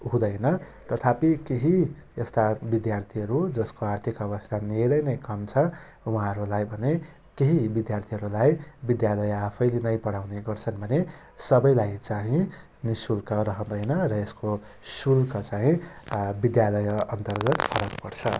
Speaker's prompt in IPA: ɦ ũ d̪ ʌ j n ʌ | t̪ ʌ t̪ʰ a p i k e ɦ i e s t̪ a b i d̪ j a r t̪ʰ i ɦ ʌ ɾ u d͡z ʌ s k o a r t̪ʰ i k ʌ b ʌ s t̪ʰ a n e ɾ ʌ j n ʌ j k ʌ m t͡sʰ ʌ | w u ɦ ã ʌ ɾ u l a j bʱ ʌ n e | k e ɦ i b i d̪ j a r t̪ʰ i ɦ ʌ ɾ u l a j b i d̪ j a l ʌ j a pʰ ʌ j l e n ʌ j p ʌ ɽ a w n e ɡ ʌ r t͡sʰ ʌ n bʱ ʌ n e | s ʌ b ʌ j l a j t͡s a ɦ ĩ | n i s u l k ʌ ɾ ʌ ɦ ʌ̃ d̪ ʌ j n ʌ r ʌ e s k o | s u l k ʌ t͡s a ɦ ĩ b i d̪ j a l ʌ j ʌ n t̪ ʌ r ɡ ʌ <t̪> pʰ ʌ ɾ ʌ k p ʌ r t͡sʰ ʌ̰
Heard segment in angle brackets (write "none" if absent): t̪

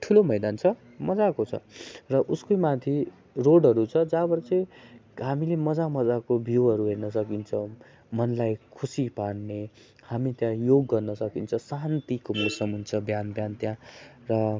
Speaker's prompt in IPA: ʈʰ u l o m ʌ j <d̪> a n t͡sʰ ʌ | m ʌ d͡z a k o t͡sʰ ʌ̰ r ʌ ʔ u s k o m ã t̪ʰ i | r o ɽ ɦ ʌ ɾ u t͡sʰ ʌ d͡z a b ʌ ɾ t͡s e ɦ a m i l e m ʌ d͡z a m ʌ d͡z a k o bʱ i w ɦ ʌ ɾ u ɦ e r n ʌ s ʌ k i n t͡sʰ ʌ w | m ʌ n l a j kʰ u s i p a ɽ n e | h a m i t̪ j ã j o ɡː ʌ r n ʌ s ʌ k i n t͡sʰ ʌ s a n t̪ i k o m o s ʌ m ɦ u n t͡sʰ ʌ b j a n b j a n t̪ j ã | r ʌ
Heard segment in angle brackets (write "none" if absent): d̪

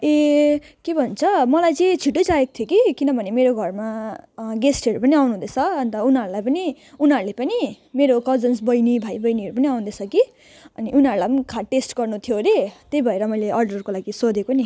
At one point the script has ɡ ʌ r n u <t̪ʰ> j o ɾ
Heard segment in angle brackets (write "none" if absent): t̪ʰ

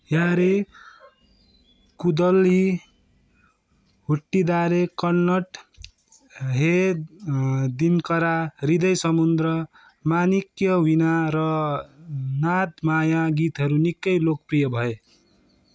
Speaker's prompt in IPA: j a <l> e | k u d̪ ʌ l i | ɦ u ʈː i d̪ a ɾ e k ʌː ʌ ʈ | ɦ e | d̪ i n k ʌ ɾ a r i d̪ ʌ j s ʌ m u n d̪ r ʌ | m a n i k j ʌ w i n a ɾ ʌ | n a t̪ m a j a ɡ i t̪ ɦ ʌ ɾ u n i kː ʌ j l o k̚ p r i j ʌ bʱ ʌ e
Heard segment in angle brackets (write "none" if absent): ɾ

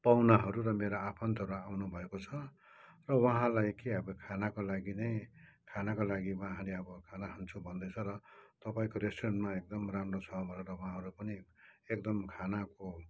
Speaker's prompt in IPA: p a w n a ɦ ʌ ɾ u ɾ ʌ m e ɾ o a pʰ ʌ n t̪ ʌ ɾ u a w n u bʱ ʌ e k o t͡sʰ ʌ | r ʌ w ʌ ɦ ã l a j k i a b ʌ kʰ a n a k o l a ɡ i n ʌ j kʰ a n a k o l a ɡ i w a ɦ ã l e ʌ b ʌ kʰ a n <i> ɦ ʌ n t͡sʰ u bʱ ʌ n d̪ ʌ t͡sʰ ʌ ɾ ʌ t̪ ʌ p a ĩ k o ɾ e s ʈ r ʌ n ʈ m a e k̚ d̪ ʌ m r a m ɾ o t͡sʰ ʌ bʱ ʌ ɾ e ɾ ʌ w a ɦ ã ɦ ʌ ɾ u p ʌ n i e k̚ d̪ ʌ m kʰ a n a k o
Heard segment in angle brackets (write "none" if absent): a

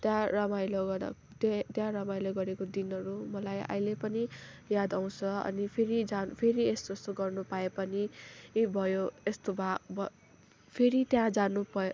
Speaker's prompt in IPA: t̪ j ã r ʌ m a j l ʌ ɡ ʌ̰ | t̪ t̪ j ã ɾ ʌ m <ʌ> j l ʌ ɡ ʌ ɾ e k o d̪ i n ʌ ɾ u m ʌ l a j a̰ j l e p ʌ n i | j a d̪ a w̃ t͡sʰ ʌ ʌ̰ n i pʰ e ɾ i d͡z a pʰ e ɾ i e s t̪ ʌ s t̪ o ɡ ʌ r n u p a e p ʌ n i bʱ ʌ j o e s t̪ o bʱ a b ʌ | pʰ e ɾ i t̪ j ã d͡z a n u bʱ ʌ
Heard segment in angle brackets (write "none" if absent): a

